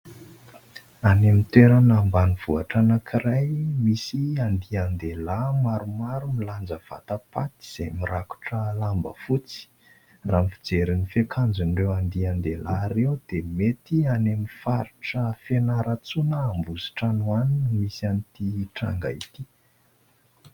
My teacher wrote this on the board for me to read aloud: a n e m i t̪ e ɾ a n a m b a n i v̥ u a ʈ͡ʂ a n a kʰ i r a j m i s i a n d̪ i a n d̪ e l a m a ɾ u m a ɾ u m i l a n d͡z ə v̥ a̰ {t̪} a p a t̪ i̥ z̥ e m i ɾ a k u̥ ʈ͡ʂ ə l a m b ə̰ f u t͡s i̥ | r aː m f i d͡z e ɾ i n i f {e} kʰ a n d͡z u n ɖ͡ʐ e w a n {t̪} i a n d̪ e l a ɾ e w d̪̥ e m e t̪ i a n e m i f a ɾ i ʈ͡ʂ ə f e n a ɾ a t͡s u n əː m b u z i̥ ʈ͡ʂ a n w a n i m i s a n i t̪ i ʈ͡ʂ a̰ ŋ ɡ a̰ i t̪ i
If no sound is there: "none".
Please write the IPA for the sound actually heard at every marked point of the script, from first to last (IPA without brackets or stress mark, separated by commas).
t̪, e, d̪